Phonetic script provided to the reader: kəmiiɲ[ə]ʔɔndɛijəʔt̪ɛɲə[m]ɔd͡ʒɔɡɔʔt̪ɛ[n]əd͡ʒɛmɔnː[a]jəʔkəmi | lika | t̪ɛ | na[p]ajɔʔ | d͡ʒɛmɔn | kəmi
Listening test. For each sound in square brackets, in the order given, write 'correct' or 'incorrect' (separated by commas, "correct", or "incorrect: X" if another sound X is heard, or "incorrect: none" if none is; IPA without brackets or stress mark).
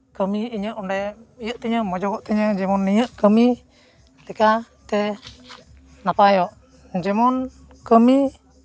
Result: correct, correct, incorrect: ɲ, incorrect: i, correct